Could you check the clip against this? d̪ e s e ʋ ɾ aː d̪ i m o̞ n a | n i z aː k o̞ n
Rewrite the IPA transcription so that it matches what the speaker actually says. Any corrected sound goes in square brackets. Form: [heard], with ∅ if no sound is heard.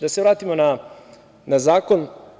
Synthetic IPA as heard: d̪ [a] s e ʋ ɾ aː [t̪] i m o̞ n a | n [a] z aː k o̞ n